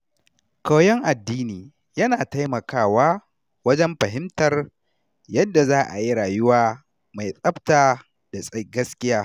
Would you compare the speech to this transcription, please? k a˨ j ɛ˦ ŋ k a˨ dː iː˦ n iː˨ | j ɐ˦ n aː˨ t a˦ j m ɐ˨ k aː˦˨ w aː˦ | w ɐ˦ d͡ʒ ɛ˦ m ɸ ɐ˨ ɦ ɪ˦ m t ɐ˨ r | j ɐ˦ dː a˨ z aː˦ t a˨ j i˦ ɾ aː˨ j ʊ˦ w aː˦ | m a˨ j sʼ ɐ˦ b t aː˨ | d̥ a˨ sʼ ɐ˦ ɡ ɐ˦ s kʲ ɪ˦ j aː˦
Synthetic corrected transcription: k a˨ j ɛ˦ ŋ ʔ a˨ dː iː˦ n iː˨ | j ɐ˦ n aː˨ t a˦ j m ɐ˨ k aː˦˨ w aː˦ | w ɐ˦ d͡ʒ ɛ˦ m ɸ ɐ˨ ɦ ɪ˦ m t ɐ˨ r | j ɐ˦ dː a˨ z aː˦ ʔ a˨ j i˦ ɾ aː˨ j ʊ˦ w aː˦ | m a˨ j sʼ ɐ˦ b t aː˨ | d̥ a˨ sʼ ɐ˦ ɡ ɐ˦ s kʲ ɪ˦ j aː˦